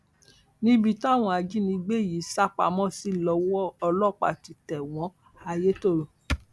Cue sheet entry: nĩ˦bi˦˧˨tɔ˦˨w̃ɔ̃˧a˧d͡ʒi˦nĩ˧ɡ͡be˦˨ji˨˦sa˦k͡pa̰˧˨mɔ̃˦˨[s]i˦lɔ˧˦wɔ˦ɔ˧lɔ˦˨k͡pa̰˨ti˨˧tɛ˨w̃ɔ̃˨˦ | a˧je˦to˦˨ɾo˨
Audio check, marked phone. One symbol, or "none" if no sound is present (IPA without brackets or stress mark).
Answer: s